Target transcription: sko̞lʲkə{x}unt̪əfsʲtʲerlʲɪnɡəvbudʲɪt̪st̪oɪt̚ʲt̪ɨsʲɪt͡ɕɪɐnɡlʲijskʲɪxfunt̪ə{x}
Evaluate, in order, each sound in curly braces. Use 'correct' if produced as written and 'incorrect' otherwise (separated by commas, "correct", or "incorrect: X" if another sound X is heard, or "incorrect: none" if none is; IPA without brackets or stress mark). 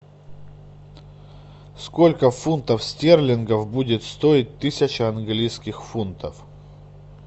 incorrect: f, incorrect: f